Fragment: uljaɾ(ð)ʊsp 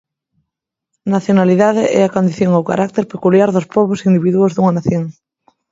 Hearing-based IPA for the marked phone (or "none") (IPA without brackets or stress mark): ð